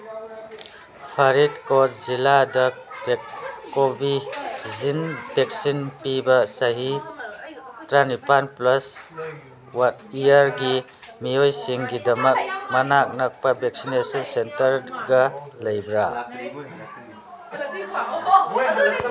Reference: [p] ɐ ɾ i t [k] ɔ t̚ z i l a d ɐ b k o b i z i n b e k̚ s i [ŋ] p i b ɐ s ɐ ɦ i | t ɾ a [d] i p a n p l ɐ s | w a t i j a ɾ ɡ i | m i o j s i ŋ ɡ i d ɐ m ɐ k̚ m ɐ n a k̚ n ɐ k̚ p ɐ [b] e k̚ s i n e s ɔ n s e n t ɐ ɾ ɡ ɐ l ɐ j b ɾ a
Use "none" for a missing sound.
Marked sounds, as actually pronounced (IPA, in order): pʰ, k, n, n, b

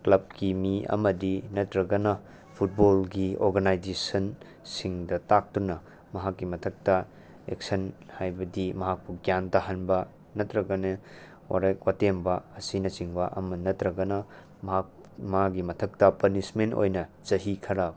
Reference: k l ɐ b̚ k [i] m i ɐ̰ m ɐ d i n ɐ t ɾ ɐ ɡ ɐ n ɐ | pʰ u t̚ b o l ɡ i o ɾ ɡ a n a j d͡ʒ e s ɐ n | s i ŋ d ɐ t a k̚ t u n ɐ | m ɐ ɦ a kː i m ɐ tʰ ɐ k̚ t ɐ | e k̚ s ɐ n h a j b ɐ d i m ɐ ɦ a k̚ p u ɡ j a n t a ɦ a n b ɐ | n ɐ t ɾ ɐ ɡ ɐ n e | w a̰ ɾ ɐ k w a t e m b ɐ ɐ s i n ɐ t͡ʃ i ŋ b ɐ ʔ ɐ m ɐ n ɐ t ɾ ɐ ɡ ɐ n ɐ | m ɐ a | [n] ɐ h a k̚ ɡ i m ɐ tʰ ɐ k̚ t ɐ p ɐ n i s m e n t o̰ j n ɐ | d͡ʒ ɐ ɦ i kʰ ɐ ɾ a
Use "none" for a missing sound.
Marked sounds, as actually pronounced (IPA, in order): i, m

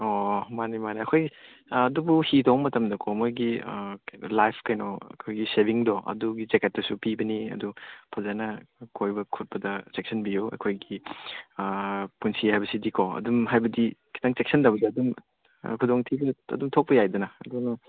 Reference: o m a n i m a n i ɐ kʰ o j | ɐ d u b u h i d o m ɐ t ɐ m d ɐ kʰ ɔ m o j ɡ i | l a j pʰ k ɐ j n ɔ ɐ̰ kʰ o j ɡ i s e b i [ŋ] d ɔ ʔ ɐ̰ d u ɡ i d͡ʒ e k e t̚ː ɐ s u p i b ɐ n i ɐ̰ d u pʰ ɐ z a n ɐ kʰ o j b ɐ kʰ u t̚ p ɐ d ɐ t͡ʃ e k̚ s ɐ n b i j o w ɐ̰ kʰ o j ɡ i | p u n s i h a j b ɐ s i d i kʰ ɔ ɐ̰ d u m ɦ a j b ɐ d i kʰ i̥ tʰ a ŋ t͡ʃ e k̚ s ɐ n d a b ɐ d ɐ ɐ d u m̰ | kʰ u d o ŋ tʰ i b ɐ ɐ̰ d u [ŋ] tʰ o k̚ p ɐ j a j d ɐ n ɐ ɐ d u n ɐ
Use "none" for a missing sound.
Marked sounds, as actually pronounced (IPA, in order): ŋ, m

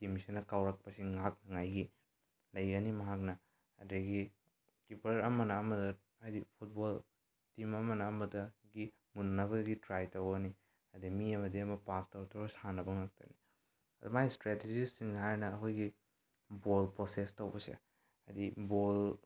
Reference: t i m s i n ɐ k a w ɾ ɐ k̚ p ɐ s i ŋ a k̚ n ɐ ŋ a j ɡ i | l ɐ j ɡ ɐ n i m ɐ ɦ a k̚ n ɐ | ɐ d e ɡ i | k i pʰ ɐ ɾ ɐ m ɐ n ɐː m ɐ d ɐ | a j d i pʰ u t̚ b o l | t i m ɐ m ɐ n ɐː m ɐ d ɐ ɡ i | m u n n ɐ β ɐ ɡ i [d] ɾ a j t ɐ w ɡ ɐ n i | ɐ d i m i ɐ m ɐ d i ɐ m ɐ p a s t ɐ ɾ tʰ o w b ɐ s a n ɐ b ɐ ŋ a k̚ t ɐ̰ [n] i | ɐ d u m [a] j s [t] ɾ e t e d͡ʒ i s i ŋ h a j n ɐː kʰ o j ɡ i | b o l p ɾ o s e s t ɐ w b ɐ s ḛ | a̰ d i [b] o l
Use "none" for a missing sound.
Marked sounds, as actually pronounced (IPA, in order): t, n, a, t, b

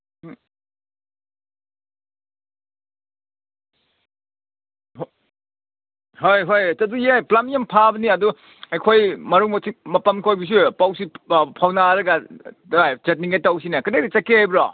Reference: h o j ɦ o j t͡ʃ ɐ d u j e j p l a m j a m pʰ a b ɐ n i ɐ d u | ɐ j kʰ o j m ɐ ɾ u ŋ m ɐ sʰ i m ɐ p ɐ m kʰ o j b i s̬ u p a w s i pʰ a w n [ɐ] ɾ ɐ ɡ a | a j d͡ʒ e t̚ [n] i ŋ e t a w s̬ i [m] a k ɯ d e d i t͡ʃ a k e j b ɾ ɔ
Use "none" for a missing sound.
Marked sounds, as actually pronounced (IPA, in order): a, n, n

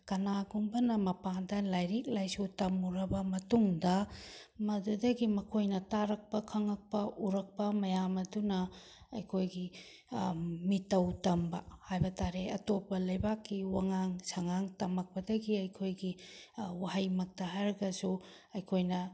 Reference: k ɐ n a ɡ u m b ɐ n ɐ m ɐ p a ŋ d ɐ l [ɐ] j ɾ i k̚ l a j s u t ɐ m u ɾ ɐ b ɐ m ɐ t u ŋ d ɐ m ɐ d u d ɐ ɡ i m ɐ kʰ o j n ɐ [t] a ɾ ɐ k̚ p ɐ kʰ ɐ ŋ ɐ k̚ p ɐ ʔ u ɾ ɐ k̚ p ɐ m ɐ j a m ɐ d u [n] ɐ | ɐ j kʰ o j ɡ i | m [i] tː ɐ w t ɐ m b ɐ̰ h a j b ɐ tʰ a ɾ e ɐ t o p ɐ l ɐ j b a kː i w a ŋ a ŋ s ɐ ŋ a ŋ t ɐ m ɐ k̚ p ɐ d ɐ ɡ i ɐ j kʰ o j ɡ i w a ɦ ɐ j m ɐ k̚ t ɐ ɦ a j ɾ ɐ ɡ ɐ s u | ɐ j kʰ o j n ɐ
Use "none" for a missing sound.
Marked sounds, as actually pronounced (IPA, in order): a, t, n, i

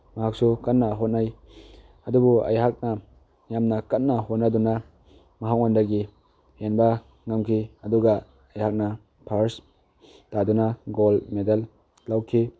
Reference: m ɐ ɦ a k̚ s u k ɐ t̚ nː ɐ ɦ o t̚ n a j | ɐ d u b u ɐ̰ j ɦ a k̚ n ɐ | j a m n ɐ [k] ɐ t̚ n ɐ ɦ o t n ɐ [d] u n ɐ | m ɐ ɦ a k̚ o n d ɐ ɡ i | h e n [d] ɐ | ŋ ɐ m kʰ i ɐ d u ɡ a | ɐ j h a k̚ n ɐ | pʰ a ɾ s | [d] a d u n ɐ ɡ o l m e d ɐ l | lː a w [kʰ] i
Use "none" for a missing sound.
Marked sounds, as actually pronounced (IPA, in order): k, d, b, t, kʰ

